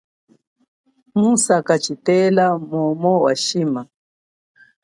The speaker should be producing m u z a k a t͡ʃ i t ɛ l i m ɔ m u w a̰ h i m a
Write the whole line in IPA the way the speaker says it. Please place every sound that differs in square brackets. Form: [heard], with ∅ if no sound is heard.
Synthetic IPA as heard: m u [s] a k a t͡ʃ i t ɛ l [a] m ɔ m [ɔ] w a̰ [ʃ] i m a